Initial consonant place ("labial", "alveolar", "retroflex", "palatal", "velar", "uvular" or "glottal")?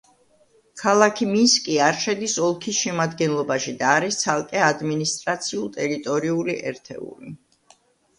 velar